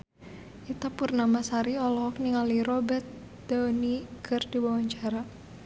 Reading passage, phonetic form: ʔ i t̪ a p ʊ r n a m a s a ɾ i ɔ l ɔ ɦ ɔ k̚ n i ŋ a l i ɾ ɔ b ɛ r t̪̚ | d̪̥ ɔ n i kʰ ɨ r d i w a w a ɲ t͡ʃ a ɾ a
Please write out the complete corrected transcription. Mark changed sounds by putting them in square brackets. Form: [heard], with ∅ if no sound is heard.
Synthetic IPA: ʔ i t̪ a p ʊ r n a m a s a ɾ i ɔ l ɔ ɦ ɔ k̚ n i ŋ a l i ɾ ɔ b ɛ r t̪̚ | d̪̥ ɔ n i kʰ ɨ r d i w a w a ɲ t͡ʃ a ɾ a